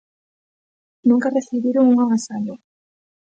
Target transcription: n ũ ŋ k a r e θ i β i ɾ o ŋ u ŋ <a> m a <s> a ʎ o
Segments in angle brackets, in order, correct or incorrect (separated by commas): correct, correct